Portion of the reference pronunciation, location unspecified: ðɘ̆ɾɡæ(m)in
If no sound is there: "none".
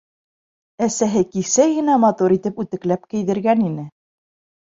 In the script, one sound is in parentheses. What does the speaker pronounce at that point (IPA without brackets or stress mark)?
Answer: n